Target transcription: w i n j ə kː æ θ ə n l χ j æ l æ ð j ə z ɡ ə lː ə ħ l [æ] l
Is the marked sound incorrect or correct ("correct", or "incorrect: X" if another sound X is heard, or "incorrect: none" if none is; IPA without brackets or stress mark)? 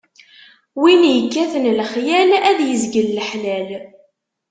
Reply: correct